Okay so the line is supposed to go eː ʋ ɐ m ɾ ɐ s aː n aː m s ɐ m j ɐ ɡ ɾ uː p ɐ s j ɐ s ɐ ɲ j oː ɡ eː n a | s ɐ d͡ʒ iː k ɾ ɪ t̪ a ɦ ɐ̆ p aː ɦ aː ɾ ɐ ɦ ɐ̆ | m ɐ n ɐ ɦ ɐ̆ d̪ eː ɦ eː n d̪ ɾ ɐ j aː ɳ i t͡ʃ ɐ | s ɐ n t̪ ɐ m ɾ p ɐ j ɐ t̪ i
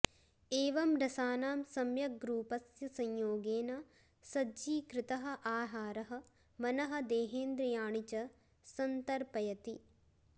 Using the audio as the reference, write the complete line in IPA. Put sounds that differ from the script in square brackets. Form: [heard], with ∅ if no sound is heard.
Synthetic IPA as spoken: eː ʋ ɐ m ɾ ɐ s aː n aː m s ɐ m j ɐ ɡ ɾ uː p ɐ s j ɐ s ɐ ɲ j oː ɡ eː n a | s ɐ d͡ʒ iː k ɾ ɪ t̪ [ɐ] ɦ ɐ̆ [ʔ] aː ɦ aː ɾ ɐ ɦ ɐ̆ | m ɐ n ɐ ɦ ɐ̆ d̪ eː ɦ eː n d̪ ɾ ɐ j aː ɳ i t͡ʃ ɐ | s ɐ n t̪ ɐ [∅] ɾ p ɐ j ɐ t̪ i